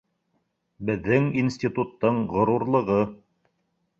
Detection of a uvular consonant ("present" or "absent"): present